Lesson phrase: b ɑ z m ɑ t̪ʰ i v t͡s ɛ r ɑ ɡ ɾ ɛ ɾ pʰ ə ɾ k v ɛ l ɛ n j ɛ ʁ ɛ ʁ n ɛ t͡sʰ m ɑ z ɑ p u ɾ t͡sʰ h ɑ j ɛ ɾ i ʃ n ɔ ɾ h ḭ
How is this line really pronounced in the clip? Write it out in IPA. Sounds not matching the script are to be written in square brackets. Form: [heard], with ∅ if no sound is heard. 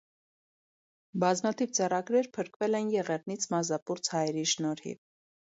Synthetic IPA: b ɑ z m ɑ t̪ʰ i v t͡s ɛ r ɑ ɡ ɾ ɛ ɾ pʰ ə ɾ k v ɛ l ɛ n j ɛ ʁ ɛ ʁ n [i] t͡sʰ m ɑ z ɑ p u ɾ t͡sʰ h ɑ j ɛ ɾ i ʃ n ɔ ɾ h ḭ